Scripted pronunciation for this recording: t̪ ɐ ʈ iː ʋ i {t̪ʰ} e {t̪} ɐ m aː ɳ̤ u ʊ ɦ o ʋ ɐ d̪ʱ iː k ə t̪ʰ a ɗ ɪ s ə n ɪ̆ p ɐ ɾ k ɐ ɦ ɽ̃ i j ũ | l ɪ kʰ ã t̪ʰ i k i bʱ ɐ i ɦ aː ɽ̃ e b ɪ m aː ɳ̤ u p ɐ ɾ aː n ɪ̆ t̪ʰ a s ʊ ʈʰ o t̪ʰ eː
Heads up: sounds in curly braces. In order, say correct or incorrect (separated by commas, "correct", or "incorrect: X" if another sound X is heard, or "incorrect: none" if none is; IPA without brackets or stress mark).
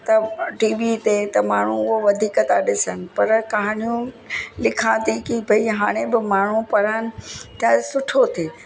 incorrect: t̪, correct